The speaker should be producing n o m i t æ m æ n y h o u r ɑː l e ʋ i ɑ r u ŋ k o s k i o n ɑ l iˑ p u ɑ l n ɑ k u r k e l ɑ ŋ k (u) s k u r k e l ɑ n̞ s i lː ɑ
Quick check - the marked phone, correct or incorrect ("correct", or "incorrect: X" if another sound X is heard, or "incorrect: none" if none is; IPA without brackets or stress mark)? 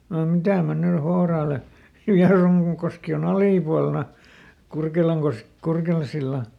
incorrect: o